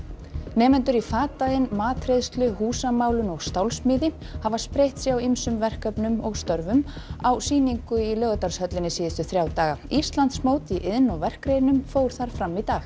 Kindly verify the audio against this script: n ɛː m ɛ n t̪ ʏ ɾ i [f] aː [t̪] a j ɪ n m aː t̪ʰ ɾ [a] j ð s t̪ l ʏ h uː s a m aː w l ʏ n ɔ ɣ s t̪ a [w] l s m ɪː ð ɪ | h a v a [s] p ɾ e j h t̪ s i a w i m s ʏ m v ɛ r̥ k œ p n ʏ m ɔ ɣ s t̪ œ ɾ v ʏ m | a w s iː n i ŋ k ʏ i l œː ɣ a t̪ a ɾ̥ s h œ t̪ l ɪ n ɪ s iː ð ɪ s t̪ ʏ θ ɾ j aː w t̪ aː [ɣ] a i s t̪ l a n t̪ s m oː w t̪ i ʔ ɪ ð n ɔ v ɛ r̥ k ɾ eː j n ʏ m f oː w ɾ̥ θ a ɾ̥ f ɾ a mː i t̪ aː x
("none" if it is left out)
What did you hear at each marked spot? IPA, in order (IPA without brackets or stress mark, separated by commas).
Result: f, t̪, e, w, s, ɣ